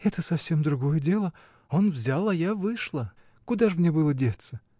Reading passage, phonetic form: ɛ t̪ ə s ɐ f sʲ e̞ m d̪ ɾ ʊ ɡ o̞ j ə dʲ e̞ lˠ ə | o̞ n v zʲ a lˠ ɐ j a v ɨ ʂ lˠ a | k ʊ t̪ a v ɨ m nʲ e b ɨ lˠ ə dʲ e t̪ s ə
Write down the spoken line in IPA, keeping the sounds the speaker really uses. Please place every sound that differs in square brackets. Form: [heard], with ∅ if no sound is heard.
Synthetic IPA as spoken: ɛ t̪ ə s ɐ f sʲ e̞ m d̪ ɾ ʊ ɡ o̞ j ə dʲ e̞ lˠ ə | o̞ n v zʲ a lˠ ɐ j a v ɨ ʂ lˠ [ə] | k ʊ [d̪] a [ʐ] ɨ m nʲ e b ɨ lˠ ə dʲ e t̪ s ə

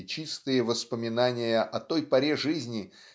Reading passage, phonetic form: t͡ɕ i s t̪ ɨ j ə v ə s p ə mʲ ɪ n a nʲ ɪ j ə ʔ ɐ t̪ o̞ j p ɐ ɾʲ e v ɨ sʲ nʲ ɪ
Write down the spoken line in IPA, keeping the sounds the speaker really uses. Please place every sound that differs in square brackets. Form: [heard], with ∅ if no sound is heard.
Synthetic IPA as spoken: t͡ɕ i s t̪ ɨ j ə v ə s p ə mʲ ɪ n a nʲ ɪ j ə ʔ ɐ t̪ o̞ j p ɐ ɾʲ e [ʐ] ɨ [zʲ] nʲ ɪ

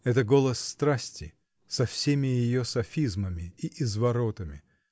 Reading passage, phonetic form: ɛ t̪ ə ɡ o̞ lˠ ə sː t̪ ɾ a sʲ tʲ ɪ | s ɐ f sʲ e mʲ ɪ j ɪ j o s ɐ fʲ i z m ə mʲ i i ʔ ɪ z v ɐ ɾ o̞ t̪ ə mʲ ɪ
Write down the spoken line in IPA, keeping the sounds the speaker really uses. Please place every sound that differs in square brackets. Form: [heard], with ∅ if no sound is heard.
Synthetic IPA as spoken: ɛ t̪ ə ɡ o̞ lˠ ə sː t̪ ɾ a sʲ tʲ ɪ | s ɐ f sʲ e mʲ ɪ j ɪ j o s ɐ fʲ i z m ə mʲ [ɪ] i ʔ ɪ z v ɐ ɾ o̞ t̪ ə mʲ ɪ

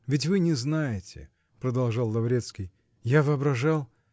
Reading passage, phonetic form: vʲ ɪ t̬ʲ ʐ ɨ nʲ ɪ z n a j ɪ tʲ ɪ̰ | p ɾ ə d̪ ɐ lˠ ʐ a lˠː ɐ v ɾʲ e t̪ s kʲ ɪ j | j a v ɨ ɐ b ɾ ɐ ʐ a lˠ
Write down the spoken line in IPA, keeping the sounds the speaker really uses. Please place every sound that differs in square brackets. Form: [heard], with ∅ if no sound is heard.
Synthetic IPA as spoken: vʲ ɪ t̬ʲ [v] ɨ nʲ ɪ z n a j ɪ tʲ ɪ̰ | p ɾ ə d̪ ɐ lˠ ʐ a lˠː ɐ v ɾʲ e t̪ s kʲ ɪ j | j a v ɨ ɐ b ɾ ɐ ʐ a lˠ

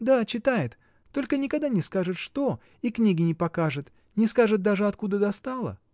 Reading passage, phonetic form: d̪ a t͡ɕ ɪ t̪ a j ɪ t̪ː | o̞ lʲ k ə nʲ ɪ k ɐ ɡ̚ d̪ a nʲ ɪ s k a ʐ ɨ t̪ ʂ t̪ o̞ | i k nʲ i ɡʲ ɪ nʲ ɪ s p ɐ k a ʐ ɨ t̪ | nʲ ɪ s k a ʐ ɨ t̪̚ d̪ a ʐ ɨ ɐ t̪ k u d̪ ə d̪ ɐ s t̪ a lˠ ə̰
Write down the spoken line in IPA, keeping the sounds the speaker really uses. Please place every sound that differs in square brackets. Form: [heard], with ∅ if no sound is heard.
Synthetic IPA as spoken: d̪ a t͡ɕ ɪ t̪ a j ɪ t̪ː | o̞ lʲ k ə nʲ ɪ k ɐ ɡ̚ d̪ a nʲ ɪ s k a ʐ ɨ t̪ ʂ t̪ o̞ | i k nʲ i ɡʲ ɪ nʲ ɪ [∅] p ɐ k a ʐ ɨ t̪ | nʲ ɪ s k a ʐ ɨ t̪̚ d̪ a ʐ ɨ ɐ t̪ k u d̪ ə d̪ ɐ s t̪ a lˠ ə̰

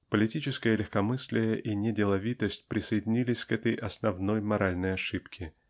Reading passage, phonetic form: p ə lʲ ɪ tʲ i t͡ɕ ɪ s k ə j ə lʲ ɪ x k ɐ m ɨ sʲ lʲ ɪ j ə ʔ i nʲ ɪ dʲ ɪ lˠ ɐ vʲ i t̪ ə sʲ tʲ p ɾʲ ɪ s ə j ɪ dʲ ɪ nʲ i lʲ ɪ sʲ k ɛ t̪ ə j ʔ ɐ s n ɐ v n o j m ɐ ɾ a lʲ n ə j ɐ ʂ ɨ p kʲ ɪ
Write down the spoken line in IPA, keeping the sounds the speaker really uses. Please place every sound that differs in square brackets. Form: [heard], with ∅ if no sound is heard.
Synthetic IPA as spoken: p ə lʲ ɪ tʲ i t͡ɕ ɪ s k ə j ə lʲ ɪ x k ɐ m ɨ sʲ lʲ ɪ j ə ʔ i nʲ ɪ dʲ ɪ lˠ ɐ vʲ i t̪ ə sʲ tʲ p ɾʲ ɪ s ə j ɪ dʲ ɪ nʲ i lʲ ɪ sʲ k ɛ t̪ ə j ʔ ɐ s n ɐ v n o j m ɐ ɾ a lʲ n ə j ɐ ʂ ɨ p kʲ ɪ

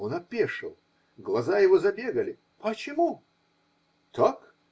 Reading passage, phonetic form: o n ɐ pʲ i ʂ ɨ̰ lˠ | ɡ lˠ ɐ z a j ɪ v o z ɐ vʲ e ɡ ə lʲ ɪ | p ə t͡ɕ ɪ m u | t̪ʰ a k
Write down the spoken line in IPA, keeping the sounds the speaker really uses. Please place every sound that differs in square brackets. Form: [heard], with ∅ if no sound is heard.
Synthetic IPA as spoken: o n ɐ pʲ [e] ʂ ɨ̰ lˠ | ɡ lˠ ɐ z a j ɪ v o z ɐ [bʲ] e ɡ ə lʲ ɪ | p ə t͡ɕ ɪ m u | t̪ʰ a k

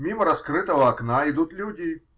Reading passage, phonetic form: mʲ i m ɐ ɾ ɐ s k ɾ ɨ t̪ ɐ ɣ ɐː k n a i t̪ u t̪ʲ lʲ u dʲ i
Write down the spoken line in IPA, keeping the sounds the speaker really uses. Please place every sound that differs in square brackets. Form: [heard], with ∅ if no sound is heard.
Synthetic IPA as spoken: mʲ i m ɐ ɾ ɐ s k ɾ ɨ t̪ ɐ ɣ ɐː k n a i [d̪] u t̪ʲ lʲ u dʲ i

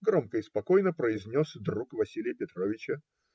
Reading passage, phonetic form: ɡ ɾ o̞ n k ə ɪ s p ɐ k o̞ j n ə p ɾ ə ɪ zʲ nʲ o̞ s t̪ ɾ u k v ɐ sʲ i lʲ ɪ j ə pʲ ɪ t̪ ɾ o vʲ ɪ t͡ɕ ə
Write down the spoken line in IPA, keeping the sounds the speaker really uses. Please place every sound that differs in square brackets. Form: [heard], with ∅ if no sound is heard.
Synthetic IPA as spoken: ɡ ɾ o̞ [m] k ə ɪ s p ɐ k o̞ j n ə p ɾ ə ɪ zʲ nʲ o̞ s [d̪] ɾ u k v ɐ sʲ i lʲ ɪ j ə pʲ ɪ t̪ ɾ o vʲ ɪ t͡ɕ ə

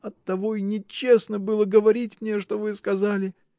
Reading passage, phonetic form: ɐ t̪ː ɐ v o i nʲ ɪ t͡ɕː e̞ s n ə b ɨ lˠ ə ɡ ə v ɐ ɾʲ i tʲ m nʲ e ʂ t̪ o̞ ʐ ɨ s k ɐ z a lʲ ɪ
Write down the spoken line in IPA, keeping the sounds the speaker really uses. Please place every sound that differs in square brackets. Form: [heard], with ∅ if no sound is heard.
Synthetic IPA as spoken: ɐ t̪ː ɐ v o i nʲ ɪ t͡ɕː e̞ s n ə b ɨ lˠ ə ɡ ə v ɐ ɾʲ i tʲ m nʲ e ʂ t̪ o̞ [v] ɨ s k ɐ z a lʲ ɪ

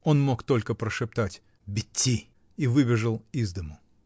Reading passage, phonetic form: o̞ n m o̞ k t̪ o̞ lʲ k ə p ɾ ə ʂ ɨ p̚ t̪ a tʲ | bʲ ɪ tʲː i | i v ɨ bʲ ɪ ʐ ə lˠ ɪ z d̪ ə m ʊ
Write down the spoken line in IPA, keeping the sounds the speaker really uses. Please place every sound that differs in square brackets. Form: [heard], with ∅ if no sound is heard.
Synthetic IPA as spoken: o̞ n m o̞ k t̪ o̞ lʲ k ə p ɾ ə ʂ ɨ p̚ t̪ a tʲ | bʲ ɪ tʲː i | i v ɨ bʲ ɪ ʐ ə lˠ [i] z d̪ ə m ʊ

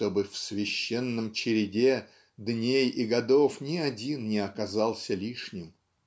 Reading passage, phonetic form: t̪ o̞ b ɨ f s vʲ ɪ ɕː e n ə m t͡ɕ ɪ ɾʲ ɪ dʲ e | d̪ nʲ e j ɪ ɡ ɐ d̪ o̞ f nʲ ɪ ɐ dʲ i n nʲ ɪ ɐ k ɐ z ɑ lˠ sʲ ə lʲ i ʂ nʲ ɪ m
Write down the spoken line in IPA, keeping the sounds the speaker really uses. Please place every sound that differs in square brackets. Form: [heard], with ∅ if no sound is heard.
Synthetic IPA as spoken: t̪ o̞ b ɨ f s vʲ ɪ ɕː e [nː] ə m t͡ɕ ɪ ɾʲ ɪ dʲ e | d̪ nʲ e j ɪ ɡ ɐ d̪ o̞ f nʲ ɪ ɐ dʲ i n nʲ ɪ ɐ k ɐ z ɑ lˠ sʲ ə lʲ i ʂ nʲ ɪ m

